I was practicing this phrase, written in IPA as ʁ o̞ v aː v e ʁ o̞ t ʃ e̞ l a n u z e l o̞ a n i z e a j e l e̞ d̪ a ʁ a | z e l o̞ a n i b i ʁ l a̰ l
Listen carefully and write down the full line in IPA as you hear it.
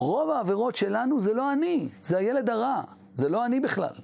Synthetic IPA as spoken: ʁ o̞ v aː v e ʁ o̞ t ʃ e̞ l a n u z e l o̞ a n i z e a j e l e̞ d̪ a ʁ a | z e l o̞ a n i b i χ l a̰ l